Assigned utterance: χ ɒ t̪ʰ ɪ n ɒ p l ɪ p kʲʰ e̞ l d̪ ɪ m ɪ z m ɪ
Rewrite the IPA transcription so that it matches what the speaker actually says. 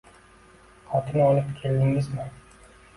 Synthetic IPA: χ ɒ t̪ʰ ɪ n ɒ l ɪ p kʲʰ e̞ l d̪ ɪ ŋ ɪ z m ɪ